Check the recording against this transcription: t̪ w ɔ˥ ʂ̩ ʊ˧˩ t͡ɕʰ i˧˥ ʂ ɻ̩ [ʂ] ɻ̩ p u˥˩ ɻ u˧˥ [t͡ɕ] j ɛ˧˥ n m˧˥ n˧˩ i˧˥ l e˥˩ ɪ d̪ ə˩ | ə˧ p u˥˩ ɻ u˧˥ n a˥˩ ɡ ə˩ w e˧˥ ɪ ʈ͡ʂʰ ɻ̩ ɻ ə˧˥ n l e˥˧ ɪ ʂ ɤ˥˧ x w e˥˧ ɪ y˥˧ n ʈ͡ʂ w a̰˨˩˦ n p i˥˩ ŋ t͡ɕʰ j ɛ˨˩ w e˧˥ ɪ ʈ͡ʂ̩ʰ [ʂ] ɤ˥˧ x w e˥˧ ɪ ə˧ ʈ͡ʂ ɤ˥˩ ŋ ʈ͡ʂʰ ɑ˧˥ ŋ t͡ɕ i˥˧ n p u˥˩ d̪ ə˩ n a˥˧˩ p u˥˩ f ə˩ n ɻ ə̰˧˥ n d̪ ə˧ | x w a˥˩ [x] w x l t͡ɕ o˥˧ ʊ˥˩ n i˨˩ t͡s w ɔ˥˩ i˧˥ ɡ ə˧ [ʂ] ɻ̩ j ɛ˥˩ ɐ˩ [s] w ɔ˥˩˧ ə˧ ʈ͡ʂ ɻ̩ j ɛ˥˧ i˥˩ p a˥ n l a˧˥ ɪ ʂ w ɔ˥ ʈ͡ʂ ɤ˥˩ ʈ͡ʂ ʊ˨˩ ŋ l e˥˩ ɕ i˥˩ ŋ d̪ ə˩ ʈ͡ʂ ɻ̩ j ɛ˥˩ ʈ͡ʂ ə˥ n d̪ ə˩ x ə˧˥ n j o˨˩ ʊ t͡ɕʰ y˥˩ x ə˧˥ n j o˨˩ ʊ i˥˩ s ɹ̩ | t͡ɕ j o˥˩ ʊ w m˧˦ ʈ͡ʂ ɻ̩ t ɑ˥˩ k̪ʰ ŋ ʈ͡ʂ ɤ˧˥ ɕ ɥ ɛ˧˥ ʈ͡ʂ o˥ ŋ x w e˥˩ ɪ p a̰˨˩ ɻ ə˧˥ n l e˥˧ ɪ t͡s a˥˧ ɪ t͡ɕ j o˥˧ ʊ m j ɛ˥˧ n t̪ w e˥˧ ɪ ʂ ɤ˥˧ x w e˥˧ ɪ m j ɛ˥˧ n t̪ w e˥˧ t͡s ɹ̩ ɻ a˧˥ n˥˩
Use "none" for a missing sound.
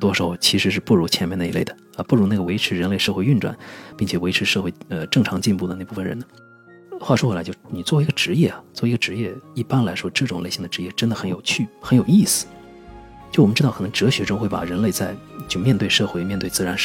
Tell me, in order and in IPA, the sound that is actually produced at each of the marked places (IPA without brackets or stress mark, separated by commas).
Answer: ʂ, t͡ɕʰ, ʂ, ʂ, ʈ͡ʂ, t͡s